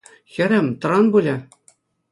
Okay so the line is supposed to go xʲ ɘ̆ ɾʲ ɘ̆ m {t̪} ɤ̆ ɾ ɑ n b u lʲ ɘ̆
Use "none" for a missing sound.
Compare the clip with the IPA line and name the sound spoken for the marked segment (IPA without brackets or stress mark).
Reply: t̪